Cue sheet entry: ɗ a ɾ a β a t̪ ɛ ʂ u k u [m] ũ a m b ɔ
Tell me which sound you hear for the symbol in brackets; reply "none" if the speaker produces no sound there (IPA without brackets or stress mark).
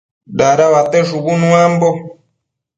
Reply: n